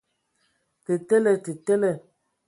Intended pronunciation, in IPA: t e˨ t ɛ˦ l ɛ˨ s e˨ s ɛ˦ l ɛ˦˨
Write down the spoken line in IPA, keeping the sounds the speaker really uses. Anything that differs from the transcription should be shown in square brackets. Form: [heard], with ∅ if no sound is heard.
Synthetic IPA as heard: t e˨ t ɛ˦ l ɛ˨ [t] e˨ [t] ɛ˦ l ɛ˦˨